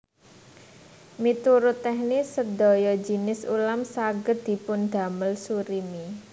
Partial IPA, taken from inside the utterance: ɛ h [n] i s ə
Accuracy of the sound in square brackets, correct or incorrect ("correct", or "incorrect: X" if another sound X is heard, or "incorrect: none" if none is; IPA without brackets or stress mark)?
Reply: correct